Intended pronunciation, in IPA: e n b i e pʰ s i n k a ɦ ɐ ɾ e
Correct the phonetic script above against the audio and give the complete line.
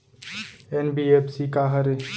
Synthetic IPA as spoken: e n b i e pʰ s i k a ɦ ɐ ɾ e